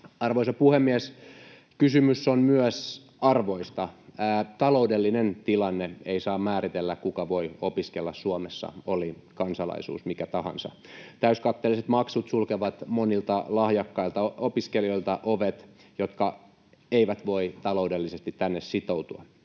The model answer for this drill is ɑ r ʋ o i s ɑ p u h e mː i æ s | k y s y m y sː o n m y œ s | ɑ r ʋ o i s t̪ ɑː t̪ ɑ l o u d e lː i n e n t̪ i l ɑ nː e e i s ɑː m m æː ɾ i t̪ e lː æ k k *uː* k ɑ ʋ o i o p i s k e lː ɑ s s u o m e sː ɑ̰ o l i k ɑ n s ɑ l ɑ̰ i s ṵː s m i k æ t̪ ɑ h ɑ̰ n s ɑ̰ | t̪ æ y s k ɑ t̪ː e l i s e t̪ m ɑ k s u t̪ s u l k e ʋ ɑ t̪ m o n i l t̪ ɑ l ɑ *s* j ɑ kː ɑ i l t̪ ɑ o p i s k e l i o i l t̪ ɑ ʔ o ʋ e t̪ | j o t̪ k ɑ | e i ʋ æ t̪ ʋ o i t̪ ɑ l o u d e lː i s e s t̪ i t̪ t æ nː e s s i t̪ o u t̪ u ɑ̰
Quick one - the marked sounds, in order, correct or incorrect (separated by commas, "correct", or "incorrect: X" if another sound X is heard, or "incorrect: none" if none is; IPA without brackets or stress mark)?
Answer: incorrect: u, incorrect: h